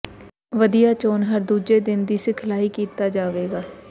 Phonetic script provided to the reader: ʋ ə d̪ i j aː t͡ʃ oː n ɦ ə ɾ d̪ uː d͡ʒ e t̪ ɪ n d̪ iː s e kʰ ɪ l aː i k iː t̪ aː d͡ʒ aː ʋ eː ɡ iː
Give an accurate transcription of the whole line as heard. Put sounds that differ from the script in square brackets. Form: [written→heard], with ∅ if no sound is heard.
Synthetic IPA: ʋ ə d̪ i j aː t͡ʃ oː n ɦ ə ɾ d̪ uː d͡ʒ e [t̪→d̪] ɪ n d̪ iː s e kʰ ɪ l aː i k iː t̪ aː d͡ʒ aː ʋ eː ɡ [iː→aː]